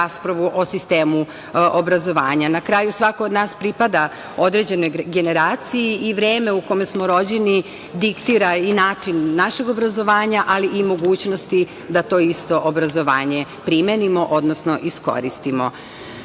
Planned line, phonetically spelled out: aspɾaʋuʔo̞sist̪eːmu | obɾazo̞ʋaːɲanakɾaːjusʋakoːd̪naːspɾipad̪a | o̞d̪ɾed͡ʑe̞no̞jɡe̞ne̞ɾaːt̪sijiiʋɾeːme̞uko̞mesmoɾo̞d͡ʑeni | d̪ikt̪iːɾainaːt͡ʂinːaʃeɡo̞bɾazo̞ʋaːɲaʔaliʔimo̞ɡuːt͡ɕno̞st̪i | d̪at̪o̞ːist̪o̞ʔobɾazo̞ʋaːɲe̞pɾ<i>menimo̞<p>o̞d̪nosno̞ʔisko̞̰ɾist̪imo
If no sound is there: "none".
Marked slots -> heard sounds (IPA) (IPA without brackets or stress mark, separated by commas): i, ʔ